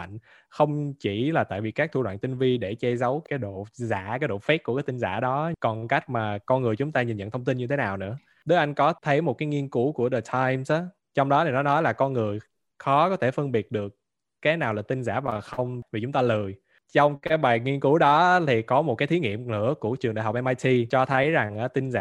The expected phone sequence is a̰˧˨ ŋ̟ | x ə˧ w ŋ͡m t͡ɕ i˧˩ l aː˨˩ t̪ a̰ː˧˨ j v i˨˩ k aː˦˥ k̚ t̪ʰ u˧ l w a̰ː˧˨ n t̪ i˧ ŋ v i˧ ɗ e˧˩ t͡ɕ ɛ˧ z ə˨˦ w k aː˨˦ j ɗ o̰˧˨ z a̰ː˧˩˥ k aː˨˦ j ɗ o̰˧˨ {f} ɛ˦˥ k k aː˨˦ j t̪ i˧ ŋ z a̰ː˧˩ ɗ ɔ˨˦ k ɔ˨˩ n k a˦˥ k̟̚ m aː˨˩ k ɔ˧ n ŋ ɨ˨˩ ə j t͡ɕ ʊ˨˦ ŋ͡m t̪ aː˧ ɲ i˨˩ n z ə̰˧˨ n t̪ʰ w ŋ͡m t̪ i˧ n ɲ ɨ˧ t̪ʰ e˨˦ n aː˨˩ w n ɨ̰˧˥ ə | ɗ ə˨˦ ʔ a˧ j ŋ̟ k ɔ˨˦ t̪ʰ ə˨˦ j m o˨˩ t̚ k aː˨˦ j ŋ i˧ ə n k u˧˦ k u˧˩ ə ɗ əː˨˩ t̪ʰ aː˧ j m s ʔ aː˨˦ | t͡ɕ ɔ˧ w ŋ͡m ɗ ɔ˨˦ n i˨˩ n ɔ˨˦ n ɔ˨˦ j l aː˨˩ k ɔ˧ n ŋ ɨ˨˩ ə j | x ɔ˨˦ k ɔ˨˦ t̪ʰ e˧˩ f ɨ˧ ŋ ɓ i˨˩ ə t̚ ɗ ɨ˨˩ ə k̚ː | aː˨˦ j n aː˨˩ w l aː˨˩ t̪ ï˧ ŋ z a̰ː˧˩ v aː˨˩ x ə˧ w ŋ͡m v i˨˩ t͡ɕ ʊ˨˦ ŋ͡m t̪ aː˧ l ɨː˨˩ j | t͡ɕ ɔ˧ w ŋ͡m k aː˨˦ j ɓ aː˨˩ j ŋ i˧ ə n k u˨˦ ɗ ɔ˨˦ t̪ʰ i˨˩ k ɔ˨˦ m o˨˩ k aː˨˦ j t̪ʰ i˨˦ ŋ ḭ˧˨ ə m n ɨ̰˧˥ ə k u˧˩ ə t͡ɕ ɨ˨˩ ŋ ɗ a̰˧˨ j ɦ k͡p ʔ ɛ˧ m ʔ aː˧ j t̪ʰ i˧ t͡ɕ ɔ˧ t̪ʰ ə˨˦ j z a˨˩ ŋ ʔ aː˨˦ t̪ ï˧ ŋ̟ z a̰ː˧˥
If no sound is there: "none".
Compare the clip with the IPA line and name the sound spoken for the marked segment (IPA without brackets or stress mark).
f